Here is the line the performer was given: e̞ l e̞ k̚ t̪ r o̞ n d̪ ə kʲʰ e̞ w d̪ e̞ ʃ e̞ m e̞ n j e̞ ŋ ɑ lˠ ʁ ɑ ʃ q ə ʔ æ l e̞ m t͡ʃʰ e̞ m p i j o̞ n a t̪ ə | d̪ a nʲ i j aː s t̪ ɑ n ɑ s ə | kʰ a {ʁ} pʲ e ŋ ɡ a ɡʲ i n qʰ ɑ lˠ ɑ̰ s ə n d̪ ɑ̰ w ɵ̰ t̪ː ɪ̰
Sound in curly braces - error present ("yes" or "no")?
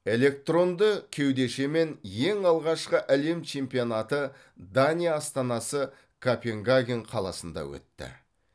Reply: yes